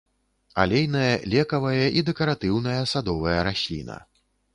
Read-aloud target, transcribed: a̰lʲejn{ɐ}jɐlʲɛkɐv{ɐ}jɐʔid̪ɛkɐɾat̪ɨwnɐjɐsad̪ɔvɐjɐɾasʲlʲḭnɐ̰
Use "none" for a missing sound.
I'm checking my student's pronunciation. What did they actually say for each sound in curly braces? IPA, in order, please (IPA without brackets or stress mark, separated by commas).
ɐ, ɐ